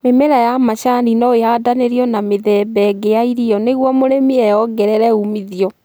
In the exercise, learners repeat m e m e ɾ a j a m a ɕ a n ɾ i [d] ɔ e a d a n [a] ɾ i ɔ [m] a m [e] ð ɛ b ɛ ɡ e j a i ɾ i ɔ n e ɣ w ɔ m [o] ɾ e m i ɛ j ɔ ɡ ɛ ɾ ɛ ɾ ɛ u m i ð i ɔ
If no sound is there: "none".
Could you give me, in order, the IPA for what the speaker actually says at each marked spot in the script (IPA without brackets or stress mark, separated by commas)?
n, e, n, e, o